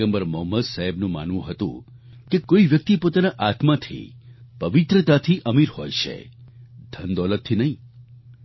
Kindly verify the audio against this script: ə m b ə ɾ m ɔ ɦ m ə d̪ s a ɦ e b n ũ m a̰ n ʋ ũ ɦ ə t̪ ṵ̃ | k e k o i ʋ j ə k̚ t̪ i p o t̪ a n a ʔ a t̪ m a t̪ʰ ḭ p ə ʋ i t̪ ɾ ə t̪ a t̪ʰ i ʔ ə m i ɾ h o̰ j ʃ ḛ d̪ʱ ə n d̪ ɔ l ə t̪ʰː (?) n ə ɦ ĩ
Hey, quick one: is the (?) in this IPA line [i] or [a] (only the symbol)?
i